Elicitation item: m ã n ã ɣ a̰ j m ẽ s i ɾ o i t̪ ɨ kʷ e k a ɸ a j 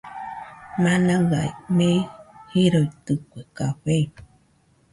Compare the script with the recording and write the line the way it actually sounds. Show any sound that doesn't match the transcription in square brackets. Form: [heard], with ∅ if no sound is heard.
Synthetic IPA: m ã n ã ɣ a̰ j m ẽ [h] i ɾ o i t̪ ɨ kʷ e k a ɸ [e] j